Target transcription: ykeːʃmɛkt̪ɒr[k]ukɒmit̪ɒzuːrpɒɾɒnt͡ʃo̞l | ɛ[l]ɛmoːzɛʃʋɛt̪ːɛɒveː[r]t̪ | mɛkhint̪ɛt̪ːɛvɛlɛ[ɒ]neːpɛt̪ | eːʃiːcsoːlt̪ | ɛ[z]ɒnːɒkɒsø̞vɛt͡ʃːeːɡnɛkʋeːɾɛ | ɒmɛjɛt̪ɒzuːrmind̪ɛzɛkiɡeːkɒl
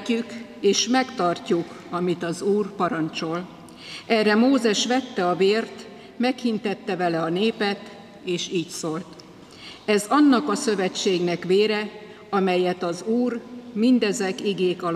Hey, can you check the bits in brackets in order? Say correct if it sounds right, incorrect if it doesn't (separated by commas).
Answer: incorrect, incorrect, correct, correct, correct